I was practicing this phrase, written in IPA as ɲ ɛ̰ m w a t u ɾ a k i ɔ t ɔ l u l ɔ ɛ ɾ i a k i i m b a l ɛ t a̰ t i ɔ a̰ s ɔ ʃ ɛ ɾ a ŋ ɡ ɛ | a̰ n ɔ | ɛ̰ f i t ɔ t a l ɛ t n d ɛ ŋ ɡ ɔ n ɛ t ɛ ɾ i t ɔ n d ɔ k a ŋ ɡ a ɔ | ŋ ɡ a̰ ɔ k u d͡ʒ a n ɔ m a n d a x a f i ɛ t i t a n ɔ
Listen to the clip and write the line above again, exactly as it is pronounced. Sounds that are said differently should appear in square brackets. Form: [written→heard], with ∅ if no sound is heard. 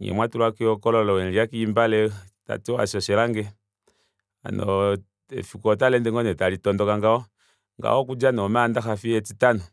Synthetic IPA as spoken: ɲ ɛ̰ m w a t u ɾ a k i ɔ [t→k] ɔ l [u→ɔ] l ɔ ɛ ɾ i a k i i m b a l ɛ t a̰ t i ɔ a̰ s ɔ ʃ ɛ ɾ a ŋ ɡ ɛ | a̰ n ɔ | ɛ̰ f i [t→k] ɔ t a l ɛ [t→∅] n d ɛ ŋ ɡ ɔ n ɛ t [ɛ→a] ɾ i t ɔ n d ɔ k a ŋ ɡ a ɔ | ŋ ɡ a̰ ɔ k u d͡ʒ a n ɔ m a n d a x a f i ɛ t i t a n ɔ